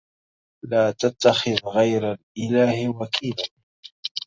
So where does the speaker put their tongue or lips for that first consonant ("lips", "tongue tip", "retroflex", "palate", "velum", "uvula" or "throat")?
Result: tongue tip